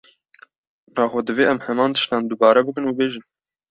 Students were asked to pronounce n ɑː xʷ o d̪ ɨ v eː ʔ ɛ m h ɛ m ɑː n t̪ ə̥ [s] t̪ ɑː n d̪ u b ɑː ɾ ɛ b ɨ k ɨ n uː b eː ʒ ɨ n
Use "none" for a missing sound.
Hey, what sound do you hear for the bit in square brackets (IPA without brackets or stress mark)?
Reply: ʃ